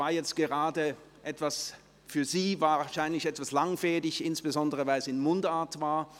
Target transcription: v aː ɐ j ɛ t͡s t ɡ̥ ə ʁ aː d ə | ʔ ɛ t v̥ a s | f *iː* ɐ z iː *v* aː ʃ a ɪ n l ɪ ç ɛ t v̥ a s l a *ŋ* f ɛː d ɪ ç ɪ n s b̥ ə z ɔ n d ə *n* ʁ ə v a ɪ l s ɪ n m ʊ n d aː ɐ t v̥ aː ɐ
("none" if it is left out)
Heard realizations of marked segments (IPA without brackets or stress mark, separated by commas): yː, v, ŋ, none